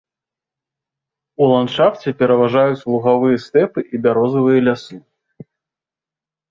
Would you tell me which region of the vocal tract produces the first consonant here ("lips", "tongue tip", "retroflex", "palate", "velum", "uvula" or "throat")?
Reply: tongue tip